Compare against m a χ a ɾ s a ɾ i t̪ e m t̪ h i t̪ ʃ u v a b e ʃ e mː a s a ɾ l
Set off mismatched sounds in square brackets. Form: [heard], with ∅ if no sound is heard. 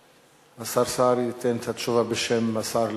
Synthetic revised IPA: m a [s] a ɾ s a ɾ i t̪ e [n] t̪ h [a] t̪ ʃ u v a b e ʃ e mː a s a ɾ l